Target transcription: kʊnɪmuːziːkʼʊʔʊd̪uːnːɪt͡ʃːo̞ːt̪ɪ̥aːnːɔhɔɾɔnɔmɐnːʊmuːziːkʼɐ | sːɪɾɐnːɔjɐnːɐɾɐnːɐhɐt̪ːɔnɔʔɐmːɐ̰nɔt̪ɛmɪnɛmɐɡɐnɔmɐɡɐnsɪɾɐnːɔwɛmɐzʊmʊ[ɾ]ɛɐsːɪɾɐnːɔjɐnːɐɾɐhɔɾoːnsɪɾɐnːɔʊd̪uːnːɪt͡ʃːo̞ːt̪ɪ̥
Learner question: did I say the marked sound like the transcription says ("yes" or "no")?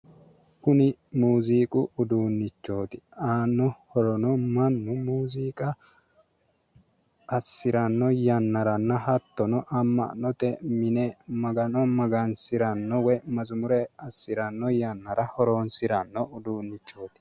yes